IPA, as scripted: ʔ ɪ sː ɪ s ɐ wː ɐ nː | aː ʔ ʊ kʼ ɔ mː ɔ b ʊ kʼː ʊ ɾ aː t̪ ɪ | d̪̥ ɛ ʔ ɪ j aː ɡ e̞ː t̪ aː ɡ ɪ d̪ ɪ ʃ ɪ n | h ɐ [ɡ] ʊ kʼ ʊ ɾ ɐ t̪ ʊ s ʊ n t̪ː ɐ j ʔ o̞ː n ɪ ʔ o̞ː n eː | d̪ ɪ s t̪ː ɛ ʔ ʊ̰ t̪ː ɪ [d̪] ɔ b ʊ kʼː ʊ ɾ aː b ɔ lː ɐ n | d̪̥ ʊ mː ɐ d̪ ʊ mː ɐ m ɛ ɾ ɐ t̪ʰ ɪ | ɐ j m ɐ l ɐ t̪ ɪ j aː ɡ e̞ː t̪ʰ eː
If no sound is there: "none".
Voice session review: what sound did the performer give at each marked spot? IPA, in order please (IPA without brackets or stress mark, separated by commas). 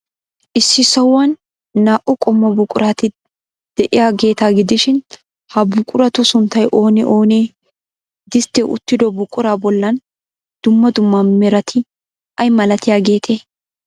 b, d̪